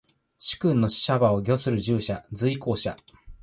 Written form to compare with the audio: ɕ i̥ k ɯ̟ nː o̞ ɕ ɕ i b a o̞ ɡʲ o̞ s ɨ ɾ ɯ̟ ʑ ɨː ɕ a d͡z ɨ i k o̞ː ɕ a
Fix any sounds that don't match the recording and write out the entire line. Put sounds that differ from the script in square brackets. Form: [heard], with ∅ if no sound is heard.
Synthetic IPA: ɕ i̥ k [ɯ̟̃] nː o̞ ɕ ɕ [a] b a o̞ ɡʲ o̞ s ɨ ɾ ɯ̟ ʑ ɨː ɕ a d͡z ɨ i k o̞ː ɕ a